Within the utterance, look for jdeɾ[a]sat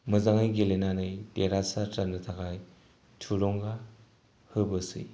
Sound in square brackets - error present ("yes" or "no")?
no